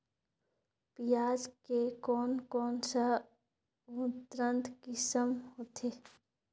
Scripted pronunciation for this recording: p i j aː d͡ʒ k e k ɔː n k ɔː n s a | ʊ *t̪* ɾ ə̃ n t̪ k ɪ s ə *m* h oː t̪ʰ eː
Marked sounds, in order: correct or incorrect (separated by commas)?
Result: correct, correct